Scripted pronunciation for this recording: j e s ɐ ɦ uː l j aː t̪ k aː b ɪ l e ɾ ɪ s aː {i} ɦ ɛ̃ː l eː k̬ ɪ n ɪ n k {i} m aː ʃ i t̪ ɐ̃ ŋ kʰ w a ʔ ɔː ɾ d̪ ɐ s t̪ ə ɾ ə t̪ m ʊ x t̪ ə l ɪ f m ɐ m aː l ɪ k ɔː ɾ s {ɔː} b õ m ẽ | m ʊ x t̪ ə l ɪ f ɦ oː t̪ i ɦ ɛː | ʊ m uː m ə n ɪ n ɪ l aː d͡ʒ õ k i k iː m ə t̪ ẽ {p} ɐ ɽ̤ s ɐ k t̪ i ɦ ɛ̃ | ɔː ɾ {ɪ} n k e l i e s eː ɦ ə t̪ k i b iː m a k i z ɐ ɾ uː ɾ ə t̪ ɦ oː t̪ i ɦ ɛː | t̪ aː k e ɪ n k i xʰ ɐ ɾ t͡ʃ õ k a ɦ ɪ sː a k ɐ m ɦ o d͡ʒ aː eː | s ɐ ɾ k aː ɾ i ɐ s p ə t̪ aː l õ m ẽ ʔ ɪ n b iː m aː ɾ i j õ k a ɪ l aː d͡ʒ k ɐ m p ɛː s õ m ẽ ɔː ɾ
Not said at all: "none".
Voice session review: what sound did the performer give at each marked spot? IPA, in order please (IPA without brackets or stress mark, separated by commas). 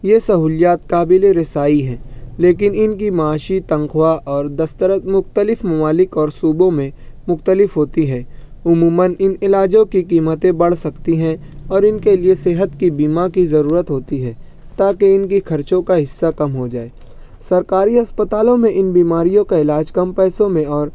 i, i, uː, b, ɪ